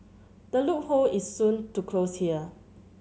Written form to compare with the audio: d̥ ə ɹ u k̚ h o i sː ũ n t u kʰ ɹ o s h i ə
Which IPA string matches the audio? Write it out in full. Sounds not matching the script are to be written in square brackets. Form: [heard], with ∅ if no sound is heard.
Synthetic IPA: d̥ ə [l] u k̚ h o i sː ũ n t u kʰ [l] o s h i ə

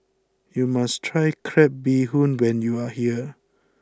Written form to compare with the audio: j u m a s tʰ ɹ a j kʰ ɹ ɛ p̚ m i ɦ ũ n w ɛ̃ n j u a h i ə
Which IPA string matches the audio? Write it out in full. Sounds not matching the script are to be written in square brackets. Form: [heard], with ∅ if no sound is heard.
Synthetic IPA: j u m a s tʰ ɹ a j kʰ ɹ ɛ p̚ [b] i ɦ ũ n w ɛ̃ n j u a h i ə

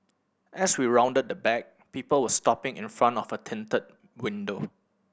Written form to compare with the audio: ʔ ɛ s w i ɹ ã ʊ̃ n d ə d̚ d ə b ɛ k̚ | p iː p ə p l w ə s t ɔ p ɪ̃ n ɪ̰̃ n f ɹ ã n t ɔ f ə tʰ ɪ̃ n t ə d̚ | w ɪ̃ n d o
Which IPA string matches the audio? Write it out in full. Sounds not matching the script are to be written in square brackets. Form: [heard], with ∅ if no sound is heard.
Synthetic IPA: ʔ ɛ s w i ɹ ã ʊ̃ n d ə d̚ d ə b ɛ k̚ | p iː p ə [∅] l w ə s t ɔ p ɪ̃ [ŋ] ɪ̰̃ n f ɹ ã n t ɔ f ə tʰ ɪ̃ n t ə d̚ | w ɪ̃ n d o

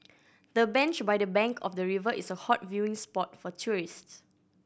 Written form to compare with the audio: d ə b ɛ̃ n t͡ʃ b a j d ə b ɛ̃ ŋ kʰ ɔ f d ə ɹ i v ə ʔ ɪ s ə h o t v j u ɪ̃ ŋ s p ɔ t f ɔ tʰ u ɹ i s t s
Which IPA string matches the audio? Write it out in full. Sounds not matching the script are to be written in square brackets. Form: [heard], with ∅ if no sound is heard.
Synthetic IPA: d ə b ɛ̃ n t͡ʃ b a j d ə b ɛ̃ ŋ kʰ ɔ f d ə ɹ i v ə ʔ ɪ s ə h [ɔ] t v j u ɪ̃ ŋ s p ɔ t f ɔ tʰ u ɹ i s t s

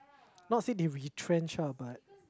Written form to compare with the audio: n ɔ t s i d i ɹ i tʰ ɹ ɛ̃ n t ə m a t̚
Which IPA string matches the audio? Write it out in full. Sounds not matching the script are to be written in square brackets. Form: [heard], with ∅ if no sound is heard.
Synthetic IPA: n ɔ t s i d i ɹ i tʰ ɹ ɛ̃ n [t͡ʃ] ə [b] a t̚

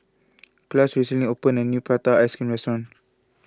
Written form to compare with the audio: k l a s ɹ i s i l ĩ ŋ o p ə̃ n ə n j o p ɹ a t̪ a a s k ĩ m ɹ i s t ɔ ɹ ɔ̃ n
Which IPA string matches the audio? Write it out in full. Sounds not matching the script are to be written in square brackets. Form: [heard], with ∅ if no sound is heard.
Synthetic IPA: k l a s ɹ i s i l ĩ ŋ o p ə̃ n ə n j [u] p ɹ a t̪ a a s k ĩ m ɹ [ɛ] s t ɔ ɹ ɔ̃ n

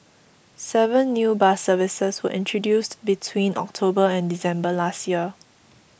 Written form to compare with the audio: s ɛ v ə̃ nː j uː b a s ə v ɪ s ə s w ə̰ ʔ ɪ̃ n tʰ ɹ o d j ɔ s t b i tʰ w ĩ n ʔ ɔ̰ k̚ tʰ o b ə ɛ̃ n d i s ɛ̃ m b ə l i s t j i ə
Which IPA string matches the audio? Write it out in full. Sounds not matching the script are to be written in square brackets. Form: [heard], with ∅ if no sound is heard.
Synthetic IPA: s ɛ v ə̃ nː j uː b a s ə v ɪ s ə s w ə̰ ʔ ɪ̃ n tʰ ɹ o d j [u] s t b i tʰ w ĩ n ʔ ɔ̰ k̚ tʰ o b ə ɛ̃ n d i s ɛ̃ m b ə l [a] s t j i ə

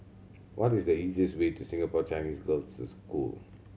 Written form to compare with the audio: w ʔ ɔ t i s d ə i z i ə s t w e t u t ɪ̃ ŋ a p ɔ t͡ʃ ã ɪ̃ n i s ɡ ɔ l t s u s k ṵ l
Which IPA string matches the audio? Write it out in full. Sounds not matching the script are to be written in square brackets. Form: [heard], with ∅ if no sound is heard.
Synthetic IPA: w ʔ ɔ t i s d ə i z i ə s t w e t u [s] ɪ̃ ŋ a p ɔ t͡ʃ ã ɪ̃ n i s ɡ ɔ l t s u s k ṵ l

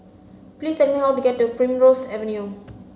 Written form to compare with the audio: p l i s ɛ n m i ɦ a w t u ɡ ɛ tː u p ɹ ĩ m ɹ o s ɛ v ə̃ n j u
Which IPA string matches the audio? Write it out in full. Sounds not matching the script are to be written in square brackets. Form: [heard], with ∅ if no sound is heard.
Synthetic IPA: p l i s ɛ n m i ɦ a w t u ɡ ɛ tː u p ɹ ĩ m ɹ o s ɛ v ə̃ n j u

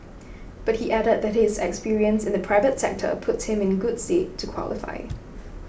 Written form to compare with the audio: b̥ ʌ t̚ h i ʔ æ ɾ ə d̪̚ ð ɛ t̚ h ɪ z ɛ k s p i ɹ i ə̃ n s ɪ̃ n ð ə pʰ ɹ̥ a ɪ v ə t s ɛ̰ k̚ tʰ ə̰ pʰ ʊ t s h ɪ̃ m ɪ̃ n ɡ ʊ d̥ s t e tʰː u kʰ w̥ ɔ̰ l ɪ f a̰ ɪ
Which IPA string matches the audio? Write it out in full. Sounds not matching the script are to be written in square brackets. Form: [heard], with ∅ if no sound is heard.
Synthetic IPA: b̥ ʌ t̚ h i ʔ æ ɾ ə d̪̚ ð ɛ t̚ h ɪ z ɛ k s p i ɹ i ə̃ n s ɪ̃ n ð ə pʰ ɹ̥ a ɪ v ə t s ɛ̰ k̚ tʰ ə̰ pʰ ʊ t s h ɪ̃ m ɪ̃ n ɡ ʊ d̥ s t e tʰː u kʰ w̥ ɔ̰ l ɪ f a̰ ɪ

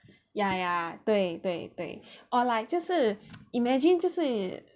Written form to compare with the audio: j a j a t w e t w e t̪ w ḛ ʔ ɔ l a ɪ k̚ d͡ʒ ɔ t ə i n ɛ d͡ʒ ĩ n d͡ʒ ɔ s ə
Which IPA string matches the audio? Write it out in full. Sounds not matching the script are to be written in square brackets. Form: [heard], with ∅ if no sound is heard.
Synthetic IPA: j a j a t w e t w e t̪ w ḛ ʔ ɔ l a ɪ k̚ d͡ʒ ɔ [s] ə i [m] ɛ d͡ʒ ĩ n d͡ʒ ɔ s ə

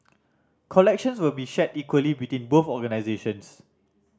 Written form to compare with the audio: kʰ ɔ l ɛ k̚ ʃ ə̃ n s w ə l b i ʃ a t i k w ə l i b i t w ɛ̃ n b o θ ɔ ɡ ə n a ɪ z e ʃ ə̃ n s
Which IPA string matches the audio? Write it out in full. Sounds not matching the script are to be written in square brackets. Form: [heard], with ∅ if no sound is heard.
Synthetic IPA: kʰ ɔ l ɛ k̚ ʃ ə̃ n s w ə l b i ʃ [ɛ] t i k w ə l i b i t w [ĩ] n b o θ ɔ ɡ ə n a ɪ z e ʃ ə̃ n s

